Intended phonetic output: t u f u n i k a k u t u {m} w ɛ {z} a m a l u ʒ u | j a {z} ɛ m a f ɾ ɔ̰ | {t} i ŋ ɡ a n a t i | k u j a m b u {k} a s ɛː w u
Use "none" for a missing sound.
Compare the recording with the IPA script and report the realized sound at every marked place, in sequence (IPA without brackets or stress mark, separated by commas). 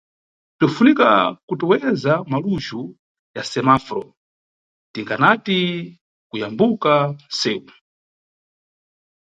none, z, s, t, k